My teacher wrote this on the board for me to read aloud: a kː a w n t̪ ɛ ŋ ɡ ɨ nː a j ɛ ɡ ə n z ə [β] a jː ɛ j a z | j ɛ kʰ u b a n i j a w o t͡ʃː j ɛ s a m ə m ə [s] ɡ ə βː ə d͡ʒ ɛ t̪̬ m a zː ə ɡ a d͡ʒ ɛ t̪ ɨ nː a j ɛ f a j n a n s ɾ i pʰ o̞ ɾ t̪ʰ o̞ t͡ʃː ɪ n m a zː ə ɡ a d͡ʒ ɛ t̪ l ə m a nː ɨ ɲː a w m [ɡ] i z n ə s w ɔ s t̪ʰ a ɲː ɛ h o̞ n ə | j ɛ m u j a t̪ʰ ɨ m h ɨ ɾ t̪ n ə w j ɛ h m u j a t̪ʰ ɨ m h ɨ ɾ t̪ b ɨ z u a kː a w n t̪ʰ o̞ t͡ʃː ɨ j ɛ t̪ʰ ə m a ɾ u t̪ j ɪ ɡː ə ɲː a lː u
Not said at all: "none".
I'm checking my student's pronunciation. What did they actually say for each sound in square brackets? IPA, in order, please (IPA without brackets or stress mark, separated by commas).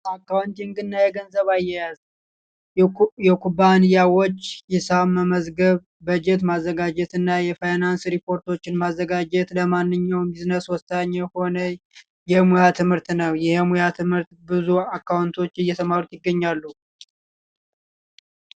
β, z, b